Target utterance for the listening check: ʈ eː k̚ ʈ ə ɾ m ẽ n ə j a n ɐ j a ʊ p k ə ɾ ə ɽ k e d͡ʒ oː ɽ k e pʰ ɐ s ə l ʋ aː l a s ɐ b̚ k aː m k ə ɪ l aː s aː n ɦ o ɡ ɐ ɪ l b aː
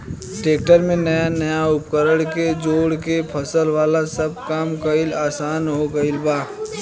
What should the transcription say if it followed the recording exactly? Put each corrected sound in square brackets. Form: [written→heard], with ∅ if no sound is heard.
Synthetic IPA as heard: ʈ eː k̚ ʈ ə ɾ m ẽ n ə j a n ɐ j a ʊ p k ə ɾ ə ɽ k e d͡ʒ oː ɽ k e pʰ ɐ s ə l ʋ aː l a s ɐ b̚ k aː m k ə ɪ l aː s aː n ɦ o ɡ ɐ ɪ l b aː